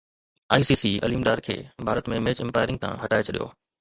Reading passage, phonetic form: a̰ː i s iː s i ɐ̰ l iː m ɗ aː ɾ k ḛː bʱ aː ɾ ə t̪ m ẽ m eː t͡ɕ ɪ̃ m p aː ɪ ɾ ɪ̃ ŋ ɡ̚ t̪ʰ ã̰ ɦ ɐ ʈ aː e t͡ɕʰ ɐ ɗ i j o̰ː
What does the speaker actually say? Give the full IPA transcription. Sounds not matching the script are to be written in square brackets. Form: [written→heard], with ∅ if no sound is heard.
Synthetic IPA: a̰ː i s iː s i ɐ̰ l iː m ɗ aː ɾ [k→kʰ] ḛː bʱ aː ɾ ə t̪ m ẽ m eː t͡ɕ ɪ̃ m p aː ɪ ɾ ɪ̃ ŋ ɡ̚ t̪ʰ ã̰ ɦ ɐ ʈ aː e t͡ɕʰ ɐ ɗ i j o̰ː